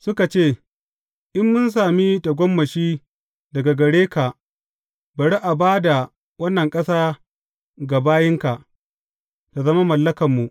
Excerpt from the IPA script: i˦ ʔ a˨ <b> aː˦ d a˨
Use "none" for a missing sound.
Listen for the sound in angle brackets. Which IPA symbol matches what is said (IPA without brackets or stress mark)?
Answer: b